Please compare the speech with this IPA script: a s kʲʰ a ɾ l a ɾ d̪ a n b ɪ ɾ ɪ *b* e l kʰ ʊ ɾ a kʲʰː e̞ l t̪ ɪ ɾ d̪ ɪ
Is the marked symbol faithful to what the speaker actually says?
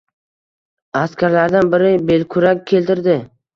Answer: yes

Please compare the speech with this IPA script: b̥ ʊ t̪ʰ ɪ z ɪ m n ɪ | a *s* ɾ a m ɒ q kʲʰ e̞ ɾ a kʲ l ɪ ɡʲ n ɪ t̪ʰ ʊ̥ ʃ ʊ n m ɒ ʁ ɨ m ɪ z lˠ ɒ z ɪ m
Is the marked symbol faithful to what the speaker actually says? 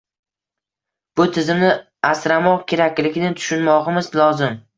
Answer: yes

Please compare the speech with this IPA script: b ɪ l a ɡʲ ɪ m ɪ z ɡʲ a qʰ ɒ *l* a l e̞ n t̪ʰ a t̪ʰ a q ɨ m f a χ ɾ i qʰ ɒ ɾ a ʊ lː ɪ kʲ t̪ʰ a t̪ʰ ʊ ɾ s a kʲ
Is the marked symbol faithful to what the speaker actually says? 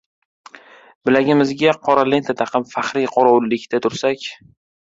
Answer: no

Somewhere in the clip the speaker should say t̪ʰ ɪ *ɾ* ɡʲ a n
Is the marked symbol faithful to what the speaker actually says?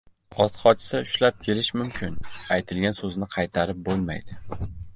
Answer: no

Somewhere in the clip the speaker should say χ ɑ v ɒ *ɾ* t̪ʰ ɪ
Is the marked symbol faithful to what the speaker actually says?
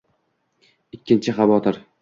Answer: no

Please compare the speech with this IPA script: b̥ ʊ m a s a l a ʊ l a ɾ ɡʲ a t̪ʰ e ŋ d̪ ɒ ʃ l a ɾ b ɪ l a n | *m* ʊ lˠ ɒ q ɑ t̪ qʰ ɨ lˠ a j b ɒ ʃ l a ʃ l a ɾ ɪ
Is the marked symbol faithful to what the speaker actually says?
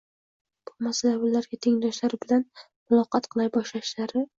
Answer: yes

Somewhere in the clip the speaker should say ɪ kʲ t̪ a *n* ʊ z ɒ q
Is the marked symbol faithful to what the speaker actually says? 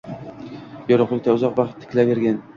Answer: no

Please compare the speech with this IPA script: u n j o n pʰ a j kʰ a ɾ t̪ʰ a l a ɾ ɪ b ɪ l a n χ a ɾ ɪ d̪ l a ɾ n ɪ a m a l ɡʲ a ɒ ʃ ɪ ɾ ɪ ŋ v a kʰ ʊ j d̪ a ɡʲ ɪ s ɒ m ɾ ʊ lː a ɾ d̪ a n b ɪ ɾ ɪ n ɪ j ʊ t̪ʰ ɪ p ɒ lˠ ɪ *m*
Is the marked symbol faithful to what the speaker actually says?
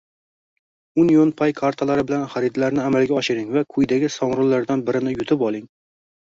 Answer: no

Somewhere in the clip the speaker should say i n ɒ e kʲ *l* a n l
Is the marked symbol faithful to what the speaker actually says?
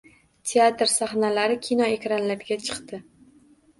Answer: no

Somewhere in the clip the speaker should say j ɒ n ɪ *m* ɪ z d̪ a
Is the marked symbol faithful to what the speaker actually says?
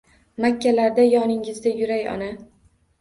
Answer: no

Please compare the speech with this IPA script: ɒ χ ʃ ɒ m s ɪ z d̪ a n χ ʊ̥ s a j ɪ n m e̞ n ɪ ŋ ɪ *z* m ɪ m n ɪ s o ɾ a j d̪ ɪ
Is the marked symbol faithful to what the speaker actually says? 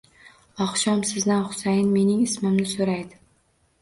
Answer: no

